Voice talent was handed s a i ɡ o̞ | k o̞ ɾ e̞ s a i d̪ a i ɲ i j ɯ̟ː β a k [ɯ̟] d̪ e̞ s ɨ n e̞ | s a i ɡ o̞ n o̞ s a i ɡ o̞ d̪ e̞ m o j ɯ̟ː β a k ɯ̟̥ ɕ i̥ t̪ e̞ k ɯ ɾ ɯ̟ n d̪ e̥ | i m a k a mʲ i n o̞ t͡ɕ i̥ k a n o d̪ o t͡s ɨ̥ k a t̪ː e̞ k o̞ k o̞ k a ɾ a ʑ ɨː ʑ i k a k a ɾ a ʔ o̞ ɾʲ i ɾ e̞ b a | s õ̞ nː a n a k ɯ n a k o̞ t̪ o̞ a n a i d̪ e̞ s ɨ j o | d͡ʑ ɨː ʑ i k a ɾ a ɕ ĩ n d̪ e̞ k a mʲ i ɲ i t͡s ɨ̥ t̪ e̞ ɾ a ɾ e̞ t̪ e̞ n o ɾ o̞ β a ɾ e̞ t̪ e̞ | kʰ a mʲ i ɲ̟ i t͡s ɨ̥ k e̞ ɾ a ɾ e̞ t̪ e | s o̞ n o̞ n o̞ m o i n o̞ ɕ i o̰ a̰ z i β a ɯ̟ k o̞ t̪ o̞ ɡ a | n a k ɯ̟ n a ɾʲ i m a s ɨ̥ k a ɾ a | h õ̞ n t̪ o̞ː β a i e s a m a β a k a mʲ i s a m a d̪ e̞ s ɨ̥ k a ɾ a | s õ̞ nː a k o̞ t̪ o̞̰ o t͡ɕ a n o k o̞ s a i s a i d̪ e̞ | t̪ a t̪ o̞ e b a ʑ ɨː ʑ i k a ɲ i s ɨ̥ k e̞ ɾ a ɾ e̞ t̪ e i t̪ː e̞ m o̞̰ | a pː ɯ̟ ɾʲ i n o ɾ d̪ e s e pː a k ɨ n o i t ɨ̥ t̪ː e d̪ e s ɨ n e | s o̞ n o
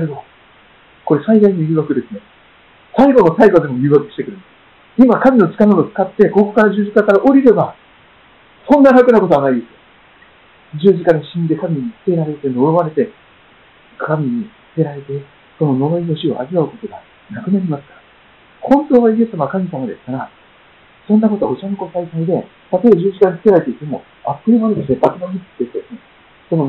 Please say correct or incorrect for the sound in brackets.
correct